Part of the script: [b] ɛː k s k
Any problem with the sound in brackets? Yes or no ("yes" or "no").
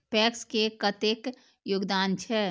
yes